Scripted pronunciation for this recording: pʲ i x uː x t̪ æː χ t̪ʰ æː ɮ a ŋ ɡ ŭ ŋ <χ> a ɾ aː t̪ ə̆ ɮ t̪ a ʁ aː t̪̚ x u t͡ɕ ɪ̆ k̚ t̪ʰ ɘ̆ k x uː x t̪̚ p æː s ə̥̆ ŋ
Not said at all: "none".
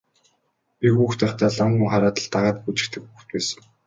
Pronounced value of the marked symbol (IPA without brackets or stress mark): χ